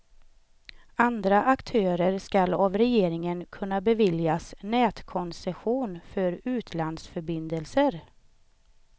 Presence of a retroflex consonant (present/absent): absent